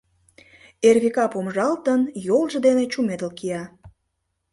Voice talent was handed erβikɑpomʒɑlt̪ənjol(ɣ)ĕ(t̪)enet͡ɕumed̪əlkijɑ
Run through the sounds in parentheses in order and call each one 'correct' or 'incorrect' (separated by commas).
incorrect, incorrect